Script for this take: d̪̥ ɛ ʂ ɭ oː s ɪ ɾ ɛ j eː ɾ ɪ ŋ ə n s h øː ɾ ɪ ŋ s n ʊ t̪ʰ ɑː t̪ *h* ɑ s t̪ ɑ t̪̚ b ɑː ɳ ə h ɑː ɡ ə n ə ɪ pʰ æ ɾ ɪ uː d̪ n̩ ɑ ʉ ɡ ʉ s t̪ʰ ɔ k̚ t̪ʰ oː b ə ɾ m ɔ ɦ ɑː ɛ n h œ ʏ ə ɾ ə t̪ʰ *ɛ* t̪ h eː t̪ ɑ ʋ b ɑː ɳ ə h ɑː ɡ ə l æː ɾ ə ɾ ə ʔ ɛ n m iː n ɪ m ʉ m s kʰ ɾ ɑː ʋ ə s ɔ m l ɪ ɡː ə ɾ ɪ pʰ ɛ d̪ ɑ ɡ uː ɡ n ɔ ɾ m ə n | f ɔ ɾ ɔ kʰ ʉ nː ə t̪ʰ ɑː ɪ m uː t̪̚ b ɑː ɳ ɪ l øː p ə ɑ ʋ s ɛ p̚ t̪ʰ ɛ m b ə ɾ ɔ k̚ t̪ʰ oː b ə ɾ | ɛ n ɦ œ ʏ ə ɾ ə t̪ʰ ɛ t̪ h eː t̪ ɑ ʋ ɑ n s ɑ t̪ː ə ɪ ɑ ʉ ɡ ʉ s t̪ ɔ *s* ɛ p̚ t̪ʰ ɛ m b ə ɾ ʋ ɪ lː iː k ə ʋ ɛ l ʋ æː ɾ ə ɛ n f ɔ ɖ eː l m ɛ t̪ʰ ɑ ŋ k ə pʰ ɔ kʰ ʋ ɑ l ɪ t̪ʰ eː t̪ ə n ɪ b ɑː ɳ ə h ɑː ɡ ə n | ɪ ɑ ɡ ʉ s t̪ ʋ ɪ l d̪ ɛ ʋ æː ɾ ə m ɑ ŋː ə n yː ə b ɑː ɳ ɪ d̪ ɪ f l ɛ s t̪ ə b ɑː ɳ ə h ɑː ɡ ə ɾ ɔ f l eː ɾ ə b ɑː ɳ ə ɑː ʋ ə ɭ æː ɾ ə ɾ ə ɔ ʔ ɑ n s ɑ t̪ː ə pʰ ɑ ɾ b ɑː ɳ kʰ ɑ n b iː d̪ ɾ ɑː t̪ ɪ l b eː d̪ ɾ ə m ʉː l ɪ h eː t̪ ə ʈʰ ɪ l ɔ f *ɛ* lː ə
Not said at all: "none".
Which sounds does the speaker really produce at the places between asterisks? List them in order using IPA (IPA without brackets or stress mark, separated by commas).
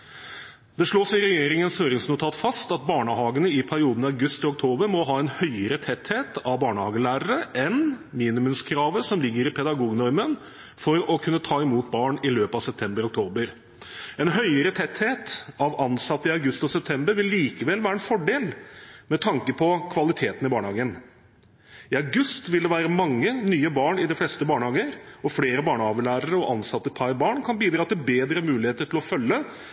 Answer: f, ɛ, s, œ